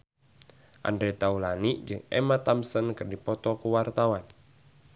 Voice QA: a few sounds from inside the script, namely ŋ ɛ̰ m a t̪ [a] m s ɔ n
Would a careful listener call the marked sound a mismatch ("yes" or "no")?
no